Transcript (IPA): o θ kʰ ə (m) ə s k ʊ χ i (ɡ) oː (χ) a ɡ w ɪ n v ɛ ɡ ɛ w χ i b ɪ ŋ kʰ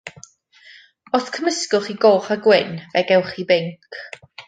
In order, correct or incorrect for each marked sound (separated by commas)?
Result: correct, correct, correct